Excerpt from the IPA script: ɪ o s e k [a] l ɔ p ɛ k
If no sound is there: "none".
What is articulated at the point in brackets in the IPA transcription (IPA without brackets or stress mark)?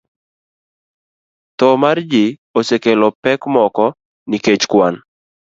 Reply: e